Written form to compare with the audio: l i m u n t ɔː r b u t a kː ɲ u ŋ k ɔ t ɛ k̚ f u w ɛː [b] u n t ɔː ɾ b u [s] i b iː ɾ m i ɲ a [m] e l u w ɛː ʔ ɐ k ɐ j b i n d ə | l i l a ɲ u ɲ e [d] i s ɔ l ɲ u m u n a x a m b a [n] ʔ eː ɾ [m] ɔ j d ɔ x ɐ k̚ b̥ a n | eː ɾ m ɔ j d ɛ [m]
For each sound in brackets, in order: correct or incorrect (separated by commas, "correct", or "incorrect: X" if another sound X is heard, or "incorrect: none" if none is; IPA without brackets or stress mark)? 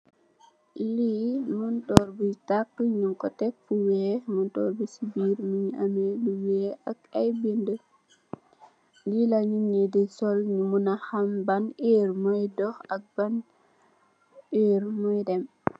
incorrect: m, correct, correct, correct, correct, correct, correct